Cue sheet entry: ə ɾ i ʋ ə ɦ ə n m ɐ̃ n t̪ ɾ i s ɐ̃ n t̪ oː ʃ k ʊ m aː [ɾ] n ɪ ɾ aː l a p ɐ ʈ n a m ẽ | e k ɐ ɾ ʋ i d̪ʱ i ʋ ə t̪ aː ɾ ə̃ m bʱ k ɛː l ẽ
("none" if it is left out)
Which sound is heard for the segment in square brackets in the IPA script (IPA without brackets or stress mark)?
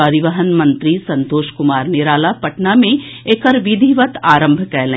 ɾ